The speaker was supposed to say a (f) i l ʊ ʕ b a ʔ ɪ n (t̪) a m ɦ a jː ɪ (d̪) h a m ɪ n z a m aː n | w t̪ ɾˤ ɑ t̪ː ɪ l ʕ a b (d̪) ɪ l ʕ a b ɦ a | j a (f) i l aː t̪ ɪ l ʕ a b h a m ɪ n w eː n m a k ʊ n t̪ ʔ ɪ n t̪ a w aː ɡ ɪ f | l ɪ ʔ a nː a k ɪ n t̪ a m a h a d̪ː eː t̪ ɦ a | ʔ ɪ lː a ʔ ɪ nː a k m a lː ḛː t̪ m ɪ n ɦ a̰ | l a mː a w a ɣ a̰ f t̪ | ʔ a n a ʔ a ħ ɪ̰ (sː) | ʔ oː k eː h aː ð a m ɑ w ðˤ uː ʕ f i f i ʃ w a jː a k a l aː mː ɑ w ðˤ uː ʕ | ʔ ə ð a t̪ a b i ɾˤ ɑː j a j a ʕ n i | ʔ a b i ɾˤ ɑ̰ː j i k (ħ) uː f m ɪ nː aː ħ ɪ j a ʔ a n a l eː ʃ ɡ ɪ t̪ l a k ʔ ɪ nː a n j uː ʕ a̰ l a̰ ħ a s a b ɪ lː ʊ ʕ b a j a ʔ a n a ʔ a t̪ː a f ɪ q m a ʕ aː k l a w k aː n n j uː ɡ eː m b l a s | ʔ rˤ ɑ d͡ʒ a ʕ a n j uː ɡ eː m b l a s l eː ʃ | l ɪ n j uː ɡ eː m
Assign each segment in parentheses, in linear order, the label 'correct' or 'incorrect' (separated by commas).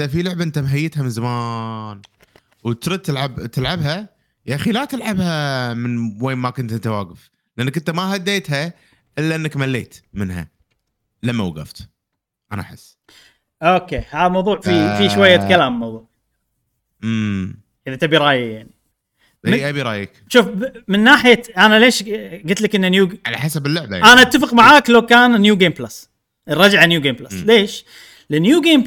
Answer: correct, correct, incorrect, incorrect, incorrect, correct, incorrect